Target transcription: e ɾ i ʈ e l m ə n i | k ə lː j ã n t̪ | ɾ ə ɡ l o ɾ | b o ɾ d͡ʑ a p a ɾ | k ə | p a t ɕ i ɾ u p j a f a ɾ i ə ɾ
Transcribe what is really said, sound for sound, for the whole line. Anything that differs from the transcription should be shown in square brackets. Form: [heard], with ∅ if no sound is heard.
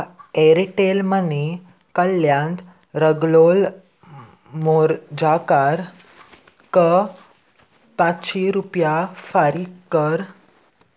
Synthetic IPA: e ɾ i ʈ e l m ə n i | k ə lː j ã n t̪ | ɾ ə ɡ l o [l] | [m] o ɾ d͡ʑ a [k] a ɾ | k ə | p a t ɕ i ɾ u p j a f a ɾ i ə ɾ